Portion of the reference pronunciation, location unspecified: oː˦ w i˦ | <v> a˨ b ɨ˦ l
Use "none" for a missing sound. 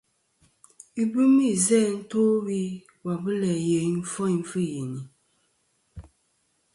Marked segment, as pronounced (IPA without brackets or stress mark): w